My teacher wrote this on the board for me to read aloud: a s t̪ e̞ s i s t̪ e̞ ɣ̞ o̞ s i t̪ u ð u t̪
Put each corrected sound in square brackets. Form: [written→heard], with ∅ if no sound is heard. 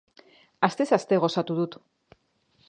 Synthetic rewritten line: a s t̪ e̞ s [i→a] s t̪ e̞ ɣ̞ o̞ s [i→a] t̪ u ð u t̪